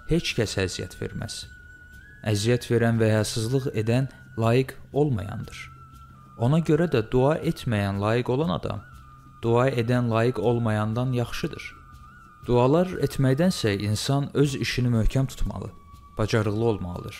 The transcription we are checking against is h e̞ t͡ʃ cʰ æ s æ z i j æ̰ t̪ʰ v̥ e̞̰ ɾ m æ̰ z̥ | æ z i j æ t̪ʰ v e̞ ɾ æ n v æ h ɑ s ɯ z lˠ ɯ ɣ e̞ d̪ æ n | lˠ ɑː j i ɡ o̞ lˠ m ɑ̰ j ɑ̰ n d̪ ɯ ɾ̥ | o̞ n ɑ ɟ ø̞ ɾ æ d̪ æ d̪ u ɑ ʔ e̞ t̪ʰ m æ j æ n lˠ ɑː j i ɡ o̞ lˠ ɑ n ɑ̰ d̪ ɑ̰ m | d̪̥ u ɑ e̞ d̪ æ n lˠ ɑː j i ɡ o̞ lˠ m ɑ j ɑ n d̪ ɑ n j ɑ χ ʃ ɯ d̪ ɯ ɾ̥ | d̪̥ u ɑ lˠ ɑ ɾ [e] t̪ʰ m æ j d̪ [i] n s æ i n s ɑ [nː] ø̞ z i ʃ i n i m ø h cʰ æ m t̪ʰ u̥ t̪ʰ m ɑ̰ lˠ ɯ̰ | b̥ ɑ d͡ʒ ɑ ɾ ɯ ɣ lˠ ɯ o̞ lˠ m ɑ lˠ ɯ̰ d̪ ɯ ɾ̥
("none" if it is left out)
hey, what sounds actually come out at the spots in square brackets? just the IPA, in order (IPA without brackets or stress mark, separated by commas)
e, æ, n